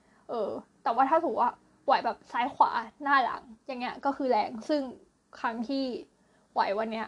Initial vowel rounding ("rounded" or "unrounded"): unrounded